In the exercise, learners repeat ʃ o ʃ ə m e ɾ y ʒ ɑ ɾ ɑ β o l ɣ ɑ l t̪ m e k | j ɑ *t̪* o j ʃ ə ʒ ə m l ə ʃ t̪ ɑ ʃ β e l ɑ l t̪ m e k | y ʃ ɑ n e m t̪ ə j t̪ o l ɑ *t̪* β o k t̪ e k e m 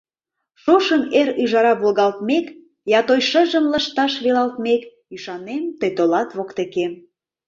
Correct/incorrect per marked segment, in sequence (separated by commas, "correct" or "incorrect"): correct, correct